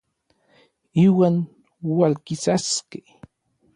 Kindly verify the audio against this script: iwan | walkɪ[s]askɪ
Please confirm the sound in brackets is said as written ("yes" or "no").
yes